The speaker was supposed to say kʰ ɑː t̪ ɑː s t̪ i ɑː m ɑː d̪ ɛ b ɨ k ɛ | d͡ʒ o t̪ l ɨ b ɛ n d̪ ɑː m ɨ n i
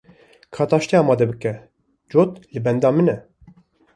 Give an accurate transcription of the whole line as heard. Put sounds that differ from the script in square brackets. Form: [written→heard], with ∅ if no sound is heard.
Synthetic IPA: kʰ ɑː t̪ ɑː [s→ʃ] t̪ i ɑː m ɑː d̪ ɛ b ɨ k ɛ | d͡ʒ o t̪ l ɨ b ɛ n d̪ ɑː m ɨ n [i→ɛ]